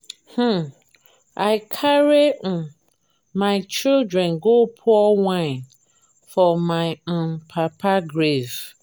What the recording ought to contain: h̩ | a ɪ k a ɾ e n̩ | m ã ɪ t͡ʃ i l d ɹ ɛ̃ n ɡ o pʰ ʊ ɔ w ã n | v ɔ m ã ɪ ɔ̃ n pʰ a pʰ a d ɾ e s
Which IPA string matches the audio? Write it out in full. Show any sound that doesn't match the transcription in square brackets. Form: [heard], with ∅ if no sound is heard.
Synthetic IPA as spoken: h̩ | a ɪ [kʰ] a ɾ e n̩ | m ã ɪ t͡ʃ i l d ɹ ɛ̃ n ɡ o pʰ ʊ ɔ w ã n | [f] ɔ m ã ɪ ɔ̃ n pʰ a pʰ a [ɡ] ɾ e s

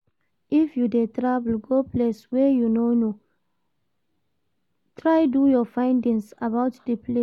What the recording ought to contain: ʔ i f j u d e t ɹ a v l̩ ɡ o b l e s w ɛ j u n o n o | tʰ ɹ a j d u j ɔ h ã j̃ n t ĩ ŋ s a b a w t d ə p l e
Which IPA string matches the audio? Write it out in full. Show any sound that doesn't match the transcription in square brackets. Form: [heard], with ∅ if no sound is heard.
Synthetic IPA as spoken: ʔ i f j u d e t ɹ a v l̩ ɡ o [p] l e s w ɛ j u n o n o | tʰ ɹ a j d u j ɔ [f] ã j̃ n [d] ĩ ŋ s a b a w t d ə p l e

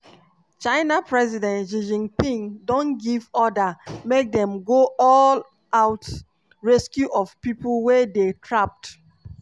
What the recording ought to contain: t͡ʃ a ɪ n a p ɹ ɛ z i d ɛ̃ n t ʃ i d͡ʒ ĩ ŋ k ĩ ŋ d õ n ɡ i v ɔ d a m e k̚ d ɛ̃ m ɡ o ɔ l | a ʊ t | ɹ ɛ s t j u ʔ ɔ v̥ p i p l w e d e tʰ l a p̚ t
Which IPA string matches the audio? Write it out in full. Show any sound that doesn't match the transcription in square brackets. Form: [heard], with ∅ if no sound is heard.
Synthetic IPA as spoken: t͡ʃ a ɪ n a p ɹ ɛ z i d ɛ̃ n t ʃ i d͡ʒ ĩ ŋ [p] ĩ ŋ d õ n ɡ i v ɔ d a m e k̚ d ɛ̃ m ɡ o ɔ l | a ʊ t | ɹ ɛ s [k] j u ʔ ɔ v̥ p i p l w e d e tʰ [ɹ] a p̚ t

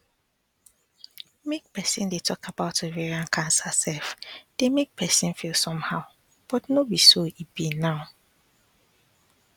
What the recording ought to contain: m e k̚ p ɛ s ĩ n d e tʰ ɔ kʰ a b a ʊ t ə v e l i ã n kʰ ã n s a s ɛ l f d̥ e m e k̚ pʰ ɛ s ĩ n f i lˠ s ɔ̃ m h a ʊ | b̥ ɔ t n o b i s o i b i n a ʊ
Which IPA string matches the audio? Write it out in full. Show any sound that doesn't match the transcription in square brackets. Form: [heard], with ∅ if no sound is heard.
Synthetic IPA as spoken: m e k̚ p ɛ s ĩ n d e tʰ ɔ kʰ a b a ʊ t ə v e [ɹ] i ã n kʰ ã n s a s ɛ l f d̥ e m e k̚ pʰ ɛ s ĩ n f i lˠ s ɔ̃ m h a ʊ | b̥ ɔ t n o b i s o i b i n a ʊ

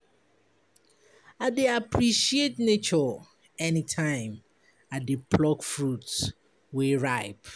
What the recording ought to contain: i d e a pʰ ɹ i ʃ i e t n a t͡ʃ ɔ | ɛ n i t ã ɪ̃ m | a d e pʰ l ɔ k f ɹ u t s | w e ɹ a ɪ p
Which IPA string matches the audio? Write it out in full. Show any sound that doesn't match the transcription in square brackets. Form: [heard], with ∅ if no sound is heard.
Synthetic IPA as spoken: [a] d e a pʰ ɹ i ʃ i e t n [e] t͡ʃ ɔ | ɛ n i [tʰ] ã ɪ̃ m | a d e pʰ l ɔ k f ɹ u t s | w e ɹ a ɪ p

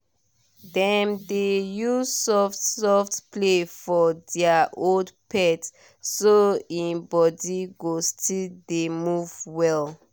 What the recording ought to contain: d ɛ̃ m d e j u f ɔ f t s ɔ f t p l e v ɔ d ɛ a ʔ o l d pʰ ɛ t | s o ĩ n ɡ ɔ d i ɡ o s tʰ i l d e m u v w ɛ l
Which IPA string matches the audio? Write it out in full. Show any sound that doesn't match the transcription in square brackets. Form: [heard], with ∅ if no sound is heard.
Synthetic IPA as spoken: d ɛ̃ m d e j u [s] ɔ f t s ɔ f t p l e [f] ɔ d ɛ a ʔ o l d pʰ ɛ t | s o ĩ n [b] ɔ d i ɡ o s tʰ i l d e m u v w ɛ l

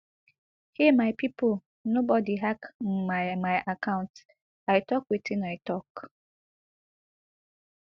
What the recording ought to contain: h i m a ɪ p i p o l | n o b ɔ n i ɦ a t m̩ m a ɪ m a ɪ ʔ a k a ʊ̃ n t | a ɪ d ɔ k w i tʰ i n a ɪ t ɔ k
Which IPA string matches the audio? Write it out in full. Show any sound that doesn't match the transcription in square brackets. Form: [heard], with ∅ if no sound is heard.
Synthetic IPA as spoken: h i m a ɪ p i p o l | n o b ɔ [d] i ɦ a [k] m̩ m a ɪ m a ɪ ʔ a k a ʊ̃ n t | a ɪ [t] ɔ k w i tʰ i n a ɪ t ɔ k

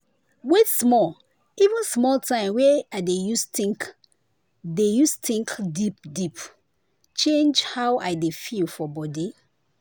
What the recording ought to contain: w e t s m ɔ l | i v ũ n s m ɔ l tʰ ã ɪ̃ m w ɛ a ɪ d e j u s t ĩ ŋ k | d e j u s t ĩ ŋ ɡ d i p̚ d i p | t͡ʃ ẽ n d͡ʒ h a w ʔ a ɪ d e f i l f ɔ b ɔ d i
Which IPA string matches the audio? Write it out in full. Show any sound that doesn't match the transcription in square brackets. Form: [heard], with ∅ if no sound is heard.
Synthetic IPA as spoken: w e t s m ɔ l | i v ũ n s m ɔ l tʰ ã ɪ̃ m w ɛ a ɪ d e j u s t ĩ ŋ k | d e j u s t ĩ ŋ [k] d i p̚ d i p | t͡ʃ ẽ n d͡ʒ h a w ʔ a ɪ d e f i l f ɔ b ɔ d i

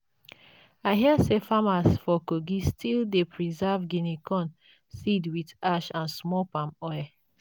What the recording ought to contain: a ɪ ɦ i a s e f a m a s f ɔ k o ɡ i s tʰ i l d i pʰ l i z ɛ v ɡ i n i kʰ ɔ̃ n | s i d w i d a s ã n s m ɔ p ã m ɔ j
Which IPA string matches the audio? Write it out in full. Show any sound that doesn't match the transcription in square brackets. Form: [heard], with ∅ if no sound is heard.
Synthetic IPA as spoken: a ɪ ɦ i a s e f a m a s f ɔ k o ɡ i s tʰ i l d [e] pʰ [ɹ] i z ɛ v ɡ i n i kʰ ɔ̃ n | s i d w i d a [ʃ] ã n s m ɔ p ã m ɔ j

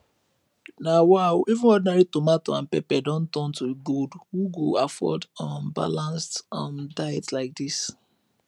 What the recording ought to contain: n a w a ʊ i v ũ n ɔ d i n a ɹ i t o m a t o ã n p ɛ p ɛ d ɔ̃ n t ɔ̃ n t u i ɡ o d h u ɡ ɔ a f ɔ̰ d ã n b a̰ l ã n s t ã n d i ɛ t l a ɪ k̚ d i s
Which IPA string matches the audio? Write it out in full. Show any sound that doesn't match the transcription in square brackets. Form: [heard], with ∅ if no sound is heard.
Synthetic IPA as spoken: n a w a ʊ i v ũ n ɔ d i n a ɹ i t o m a t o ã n p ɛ p ɛ d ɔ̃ n t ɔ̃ n t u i ɡ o d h u ɡ [o] a f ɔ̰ d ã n b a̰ l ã n s t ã n d [a] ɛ t l a ɪ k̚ d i s

